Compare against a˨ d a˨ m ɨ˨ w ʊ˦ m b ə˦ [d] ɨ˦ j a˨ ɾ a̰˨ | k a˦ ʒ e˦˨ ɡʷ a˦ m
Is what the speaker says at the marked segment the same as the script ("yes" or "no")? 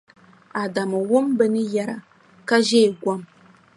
no